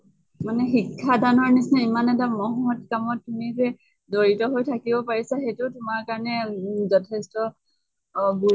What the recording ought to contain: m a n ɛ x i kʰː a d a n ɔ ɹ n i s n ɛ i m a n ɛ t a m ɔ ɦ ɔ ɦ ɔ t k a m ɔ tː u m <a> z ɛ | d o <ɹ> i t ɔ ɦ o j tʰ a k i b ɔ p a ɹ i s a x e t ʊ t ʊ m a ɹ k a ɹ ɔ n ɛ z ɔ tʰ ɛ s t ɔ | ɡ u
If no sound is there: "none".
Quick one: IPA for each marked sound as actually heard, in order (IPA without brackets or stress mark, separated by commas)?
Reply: i, ɹ